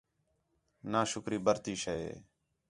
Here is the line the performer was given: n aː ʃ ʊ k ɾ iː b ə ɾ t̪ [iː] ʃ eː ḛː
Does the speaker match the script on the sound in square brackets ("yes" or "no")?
yes